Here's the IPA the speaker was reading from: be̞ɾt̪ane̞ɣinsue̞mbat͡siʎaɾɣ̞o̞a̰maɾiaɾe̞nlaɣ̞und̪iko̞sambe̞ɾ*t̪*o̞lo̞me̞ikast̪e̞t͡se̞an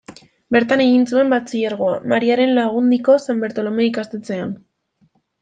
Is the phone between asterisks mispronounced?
no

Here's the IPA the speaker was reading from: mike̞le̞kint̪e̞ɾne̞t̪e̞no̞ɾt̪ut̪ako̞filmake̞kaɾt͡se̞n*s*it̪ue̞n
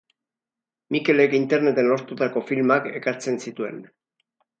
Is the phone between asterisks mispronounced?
no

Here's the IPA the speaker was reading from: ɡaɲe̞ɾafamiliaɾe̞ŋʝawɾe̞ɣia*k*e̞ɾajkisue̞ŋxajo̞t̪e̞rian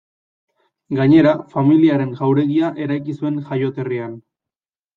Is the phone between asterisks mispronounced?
yes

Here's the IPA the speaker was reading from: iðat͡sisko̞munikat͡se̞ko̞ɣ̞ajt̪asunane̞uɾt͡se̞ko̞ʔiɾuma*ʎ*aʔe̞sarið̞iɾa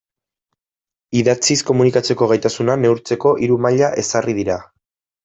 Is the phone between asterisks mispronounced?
no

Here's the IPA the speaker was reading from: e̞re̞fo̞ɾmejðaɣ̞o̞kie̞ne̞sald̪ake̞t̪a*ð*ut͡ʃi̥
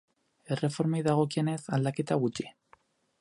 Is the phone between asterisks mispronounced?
yes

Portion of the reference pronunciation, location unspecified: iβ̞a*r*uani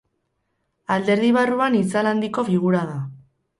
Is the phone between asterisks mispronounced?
no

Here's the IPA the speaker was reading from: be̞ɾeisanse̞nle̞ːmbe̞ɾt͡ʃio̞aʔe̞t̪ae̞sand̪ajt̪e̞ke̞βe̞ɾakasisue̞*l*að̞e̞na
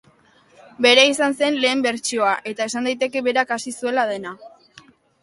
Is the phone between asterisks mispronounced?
no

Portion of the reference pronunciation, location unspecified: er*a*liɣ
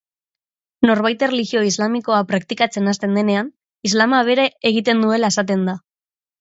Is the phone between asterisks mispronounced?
yes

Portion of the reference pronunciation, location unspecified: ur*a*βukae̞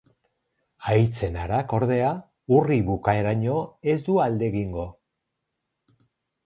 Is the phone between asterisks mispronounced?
yes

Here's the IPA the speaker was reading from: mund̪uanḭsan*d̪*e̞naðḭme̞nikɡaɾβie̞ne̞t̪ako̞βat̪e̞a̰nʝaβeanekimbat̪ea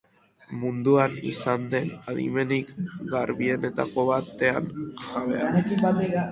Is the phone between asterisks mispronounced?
no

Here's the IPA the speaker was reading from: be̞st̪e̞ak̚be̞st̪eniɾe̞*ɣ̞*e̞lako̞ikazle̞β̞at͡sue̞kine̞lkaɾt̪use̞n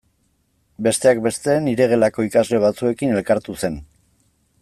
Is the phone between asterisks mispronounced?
no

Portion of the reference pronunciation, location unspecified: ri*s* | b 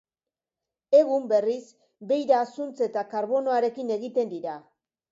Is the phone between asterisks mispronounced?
no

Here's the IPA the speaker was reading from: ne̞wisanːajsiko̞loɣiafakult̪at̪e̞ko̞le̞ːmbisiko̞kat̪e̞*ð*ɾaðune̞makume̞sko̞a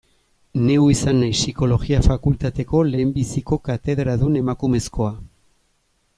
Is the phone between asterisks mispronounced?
no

